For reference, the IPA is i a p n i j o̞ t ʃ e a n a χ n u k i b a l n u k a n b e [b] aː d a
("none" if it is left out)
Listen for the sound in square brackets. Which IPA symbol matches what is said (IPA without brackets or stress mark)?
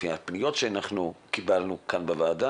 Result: v